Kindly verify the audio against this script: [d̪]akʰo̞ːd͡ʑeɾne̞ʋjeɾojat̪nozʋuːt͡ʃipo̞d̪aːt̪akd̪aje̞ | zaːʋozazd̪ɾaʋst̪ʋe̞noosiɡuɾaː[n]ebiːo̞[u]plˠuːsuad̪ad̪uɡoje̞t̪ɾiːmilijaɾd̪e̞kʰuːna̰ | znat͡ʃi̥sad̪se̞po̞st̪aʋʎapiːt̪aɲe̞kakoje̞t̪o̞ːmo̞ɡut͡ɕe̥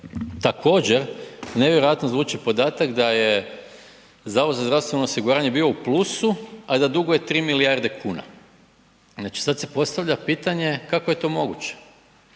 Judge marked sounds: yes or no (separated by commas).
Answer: no, no, yes